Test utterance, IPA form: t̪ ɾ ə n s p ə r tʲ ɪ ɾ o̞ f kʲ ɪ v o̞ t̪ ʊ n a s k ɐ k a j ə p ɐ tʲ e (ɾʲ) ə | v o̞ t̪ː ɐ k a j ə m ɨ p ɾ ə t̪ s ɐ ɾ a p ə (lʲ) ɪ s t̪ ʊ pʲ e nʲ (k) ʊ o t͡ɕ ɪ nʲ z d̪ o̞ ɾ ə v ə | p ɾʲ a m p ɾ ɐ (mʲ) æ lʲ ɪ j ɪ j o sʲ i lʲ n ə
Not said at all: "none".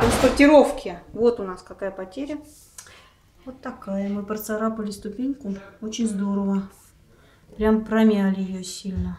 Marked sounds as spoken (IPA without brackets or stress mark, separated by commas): ɾʲ, lʲ, k, mʲ